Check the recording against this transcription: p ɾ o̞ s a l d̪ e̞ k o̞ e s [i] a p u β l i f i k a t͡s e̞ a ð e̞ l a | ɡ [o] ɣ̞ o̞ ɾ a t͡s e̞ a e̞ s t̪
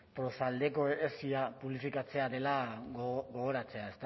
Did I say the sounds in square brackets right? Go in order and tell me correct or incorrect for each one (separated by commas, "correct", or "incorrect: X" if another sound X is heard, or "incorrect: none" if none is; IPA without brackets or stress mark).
correct, correct